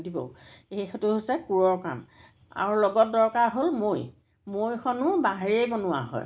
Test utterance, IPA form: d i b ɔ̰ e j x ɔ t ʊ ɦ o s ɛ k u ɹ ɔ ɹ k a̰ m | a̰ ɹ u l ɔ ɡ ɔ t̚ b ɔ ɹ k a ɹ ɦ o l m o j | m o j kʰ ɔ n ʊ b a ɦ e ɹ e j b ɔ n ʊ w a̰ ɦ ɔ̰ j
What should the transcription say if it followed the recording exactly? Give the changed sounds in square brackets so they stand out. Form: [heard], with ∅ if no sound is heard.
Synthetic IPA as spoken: d i b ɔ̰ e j x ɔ t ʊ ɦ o s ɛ k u ɹ ɔ ɹ k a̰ m | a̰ ɹ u l ɔ ɡ ɔ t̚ [d] ɔ ɹ k a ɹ ɦ o l m o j | m o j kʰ ɔ n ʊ b a ɦ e ɹ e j b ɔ n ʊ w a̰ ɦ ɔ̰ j